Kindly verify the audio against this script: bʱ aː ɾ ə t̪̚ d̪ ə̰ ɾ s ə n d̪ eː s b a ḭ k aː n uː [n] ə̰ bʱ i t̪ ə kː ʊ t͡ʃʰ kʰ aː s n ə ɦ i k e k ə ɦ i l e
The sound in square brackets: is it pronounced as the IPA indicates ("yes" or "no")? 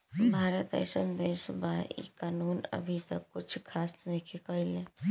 yes